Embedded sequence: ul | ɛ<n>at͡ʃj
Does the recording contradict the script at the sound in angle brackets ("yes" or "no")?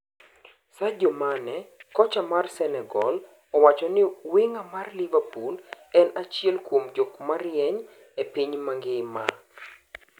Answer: no